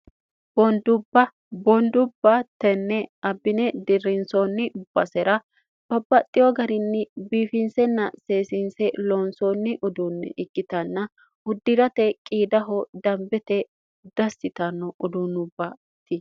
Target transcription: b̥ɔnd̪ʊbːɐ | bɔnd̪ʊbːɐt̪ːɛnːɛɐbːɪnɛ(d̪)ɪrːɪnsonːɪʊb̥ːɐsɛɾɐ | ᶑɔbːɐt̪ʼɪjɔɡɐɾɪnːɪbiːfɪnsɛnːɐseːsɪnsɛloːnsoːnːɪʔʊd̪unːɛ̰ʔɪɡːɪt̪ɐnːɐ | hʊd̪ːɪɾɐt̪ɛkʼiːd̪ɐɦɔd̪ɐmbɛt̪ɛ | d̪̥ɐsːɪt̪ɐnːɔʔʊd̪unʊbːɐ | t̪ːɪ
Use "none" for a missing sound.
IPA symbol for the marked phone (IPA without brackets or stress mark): d̪